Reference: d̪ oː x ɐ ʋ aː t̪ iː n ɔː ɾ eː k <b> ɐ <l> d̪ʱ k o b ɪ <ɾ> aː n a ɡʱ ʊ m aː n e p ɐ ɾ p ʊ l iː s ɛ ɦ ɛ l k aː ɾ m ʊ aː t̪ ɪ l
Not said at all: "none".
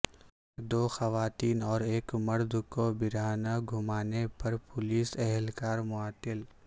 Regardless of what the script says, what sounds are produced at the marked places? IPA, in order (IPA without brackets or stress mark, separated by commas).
m, ɾ, ɾ